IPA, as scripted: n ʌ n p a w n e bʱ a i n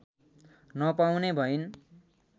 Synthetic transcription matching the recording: n ʌ p a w n e bʱ ʌ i n